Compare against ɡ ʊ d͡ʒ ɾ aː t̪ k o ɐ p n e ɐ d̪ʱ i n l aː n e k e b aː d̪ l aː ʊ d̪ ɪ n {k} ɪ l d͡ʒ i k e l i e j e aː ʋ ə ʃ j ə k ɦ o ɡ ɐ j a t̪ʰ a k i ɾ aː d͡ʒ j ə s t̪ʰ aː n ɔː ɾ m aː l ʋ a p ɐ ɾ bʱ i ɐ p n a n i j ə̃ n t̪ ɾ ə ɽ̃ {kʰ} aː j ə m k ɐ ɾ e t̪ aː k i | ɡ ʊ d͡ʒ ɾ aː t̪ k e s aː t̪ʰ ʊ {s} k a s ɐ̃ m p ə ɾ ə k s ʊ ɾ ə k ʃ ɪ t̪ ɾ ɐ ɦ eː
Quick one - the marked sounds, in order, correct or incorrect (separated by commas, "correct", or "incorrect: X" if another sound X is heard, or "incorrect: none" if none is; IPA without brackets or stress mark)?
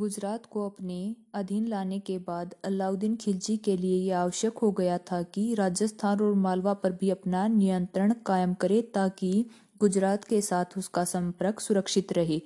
incorrect: kʰ, incorrect: k, correct